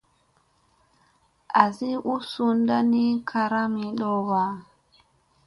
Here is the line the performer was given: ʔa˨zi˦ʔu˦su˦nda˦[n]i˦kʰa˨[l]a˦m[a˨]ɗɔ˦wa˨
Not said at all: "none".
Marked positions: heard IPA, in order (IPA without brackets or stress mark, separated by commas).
n, ɾ, i˨